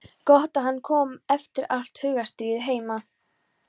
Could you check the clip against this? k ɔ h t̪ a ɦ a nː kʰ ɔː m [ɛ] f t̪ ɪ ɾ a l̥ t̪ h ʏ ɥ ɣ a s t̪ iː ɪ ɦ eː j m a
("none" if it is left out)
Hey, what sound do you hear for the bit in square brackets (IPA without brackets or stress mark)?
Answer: ɛ